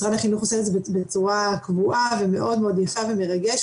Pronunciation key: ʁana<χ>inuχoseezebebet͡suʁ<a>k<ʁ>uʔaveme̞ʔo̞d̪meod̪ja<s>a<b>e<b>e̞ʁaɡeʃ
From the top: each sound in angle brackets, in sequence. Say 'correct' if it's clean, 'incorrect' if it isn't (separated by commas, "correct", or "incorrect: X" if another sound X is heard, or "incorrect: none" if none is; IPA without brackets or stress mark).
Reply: correct, correct, incorrect: v, incorrect: f, incorrect: v, incorrect: m